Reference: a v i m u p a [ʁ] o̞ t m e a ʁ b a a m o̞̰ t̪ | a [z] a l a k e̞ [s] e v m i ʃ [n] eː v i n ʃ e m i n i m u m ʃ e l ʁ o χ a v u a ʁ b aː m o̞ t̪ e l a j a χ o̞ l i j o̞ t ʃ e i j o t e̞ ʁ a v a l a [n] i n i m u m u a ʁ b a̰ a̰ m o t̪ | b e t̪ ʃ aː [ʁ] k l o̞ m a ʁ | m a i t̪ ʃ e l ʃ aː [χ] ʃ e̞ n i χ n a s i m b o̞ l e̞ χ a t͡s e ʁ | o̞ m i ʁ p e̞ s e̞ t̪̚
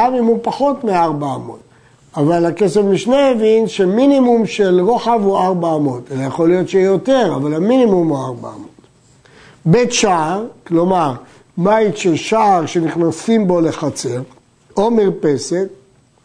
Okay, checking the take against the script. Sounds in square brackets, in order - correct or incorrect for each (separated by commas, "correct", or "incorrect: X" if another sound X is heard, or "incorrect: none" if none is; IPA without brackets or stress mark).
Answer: incorrect: χ, incorrect: v, correct, correct, incorrect: m, correct, incorrect: ʁ